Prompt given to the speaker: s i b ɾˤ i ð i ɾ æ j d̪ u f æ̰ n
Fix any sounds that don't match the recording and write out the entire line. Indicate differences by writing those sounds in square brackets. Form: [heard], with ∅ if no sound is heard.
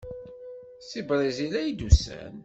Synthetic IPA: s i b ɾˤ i [z] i [l] æ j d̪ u [s] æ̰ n

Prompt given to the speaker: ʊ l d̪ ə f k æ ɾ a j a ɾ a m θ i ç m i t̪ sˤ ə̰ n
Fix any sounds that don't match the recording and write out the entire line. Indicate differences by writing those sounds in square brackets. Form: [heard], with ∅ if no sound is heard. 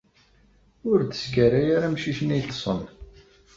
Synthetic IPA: ʊ [ɾ] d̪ ə [s] k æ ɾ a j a ɾ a m [ʃ] i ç [n] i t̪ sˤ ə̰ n

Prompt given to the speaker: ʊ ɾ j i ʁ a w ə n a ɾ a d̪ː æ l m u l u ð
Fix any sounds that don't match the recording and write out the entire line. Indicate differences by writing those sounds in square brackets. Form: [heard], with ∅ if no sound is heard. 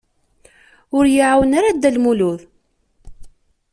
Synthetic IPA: ʊ ɾ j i [ʕ] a w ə n a ɾ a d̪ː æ l m u l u ð

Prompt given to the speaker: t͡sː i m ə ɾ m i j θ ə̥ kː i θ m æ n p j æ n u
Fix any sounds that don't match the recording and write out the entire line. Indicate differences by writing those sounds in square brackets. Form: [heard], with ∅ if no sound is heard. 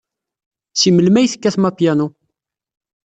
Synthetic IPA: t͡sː i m ə [l] m [æ] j θ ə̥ kː [æ] θ m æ [∅] p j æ n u

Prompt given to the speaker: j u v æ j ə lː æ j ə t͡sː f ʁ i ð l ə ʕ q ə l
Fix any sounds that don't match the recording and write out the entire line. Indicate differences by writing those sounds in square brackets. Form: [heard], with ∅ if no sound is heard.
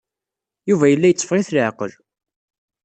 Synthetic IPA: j u v æ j ə lː æ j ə t͡sː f ʁ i [θ] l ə ʕ q ə l

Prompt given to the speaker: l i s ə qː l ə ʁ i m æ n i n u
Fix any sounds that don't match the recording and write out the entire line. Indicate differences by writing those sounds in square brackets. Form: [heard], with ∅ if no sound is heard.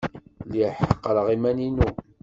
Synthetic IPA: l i [ħ] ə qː [ɾ] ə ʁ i m æ n i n u

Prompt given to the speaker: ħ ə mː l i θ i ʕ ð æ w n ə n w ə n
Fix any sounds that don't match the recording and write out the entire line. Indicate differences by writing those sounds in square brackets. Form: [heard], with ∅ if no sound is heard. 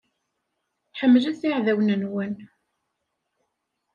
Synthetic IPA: ħ ə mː l [æ] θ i ʕ ð æ w n ə n w ə n

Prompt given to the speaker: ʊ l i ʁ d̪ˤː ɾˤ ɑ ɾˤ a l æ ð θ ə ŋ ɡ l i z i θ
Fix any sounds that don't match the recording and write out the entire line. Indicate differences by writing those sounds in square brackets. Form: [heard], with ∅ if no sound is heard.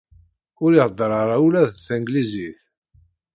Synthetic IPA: ʊ [ɾ] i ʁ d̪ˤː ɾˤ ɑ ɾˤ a l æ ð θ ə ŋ ɡ l i z i θ

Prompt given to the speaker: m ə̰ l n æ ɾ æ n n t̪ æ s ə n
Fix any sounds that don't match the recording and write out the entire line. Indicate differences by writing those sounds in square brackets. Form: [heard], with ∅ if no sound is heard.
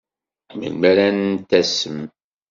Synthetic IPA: m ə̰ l [m] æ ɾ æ n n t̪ æ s ə [m]

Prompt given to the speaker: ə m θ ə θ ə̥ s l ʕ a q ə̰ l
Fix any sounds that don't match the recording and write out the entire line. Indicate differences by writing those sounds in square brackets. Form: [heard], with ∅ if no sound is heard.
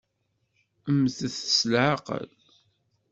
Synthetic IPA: ə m θ ə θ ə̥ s l ʕ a q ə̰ l

